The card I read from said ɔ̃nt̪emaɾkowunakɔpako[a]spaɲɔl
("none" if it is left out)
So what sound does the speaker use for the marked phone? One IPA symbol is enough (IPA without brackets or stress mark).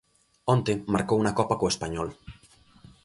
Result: e